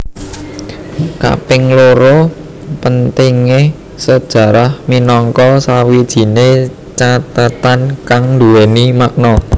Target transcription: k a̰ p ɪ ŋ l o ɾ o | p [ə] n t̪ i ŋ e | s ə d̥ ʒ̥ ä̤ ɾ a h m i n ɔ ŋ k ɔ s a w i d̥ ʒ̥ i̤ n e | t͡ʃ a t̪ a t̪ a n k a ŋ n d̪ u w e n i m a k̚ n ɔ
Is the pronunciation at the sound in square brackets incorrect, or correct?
correct